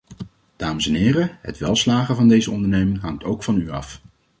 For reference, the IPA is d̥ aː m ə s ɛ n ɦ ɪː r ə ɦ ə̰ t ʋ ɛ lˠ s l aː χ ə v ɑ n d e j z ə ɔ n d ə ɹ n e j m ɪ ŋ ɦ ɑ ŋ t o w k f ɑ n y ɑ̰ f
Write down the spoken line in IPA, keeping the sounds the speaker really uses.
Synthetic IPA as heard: d̥ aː m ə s ɛ n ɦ ɪː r ə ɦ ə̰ t ʋ ɛ lˠ s l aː χ ə v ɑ n d e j z ə ɔ n d ə ɹ n e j m ɪ ŋ ɦ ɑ ŋ t o w k f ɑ n y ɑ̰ f